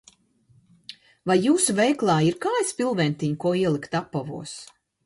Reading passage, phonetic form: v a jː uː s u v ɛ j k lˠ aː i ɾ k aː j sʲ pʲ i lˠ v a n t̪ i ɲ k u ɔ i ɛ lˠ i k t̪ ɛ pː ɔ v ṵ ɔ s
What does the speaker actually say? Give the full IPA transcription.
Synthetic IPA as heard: v a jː uː s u v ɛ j k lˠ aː i ɾ k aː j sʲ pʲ i lˠ v ɛ n t̪ i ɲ k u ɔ i ɛ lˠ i k t̪ a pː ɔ v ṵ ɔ s